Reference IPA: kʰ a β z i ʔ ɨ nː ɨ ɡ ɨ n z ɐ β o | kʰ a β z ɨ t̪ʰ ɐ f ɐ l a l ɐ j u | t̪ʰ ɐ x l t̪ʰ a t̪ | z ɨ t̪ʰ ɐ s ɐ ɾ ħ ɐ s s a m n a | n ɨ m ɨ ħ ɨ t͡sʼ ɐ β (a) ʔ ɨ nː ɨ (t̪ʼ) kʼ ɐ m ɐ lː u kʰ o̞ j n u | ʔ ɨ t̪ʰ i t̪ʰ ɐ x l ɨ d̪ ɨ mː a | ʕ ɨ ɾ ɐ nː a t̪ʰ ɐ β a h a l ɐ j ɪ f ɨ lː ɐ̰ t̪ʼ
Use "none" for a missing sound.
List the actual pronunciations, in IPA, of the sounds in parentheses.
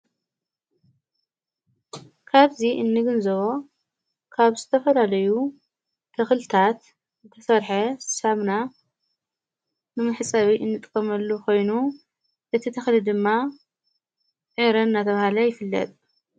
i, t̪ʼ

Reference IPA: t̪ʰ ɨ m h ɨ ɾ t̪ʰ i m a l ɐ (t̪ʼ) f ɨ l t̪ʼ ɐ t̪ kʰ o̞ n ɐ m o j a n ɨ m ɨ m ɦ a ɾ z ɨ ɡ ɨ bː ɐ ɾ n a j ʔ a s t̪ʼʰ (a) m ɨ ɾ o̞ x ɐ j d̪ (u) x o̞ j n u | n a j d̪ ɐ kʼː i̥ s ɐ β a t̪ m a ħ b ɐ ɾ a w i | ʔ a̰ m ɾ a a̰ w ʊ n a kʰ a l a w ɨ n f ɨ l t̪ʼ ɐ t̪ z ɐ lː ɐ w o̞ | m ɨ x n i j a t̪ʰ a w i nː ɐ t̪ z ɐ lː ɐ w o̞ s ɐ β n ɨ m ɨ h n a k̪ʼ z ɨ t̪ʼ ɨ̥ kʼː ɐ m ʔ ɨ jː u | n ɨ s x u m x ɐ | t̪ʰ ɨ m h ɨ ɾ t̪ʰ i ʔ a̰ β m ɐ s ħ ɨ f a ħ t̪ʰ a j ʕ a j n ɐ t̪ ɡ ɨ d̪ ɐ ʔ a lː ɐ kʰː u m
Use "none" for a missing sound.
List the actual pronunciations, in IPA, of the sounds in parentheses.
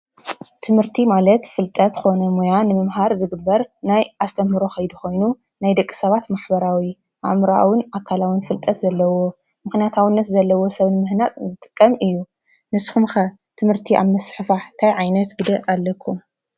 t̪, ɐ, u

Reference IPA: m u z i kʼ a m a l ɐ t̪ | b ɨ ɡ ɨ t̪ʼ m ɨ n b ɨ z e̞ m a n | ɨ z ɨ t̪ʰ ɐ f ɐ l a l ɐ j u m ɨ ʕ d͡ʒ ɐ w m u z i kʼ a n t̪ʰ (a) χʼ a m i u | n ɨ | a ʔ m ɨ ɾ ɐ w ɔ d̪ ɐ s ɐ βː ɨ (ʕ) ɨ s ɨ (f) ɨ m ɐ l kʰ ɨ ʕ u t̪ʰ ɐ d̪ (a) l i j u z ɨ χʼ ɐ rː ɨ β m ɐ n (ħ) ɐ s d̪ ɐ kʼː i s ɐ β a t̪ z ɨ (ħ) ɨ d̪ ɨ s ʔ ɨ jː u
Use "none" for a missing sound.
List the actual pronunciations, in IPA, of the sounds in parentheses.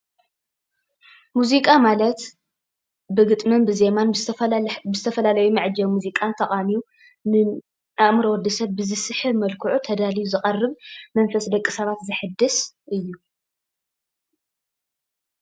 ɐ, z, ħ, a, f, ħ

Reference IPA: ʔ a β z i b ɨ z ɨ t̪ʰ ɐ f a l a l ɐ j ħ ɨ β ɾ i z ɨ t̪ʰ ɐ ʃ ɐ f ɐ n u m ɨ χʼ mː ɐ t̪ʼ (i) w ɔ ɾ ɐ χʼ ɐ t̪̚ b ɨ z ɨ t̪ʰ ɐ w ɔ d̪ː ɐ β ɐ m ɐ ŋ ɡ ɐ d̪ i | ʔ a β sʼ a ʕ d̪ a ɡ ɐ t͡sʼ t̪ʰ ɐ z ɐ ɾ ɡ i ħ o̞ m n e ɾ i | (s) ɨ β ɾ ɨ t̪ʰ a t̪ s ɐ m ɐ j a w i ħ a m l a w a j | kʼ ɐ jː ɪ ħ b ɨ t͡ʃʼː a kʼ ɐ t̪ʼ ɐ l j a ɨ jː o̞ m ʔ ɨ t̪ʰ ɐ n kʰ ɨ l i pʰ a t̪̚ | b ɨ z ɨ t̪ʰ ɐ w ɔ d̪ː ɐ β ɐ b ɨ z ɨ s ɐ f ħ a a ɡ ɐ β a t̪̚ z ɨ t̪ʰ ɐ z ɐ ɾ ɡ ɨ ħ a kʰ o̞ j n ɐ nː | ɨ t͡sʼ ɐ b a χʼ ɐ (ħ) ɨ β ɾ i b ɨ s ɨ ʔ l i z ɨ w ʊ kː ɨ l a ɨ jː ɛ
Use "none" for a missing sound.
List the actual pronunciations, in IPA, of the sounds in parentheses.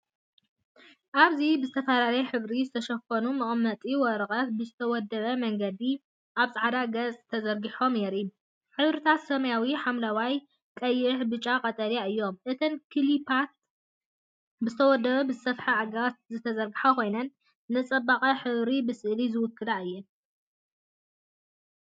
i, ħ, ħ

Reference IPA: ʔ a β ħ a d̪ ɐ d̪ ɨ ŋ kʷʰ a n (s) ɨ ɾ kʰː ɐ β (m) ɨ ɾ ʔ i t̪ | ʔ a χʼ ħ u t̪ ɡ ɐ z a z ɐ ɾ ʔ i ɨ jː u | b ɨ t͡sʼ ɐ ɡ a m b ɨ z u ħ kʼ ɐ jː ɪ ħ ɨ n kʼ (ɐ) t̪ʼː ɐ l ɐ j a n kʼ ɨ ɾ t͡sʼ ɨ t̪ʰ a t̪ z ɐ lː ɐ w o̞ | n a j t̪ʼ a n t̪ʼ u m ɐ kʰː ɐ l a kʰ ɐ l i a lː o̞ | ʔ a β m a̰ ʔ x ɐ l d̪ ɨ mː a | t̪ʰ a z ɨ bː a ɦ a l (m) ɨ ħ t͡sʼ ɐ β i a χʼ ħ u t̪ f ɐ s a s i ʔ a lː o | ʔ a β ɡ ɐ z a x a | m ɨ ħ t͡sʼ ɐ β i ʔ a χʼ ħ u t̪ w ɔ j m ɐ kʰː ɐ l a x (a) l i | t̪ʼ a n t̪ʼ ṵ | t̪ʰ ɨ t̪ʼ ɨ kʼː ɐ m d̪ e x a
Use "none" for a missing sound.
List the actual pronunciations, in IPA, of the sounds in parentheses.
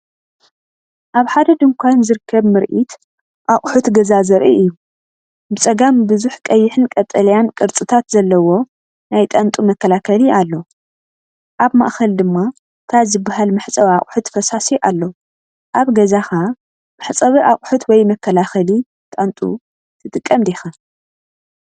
z, m, ɐ, m, ɐ

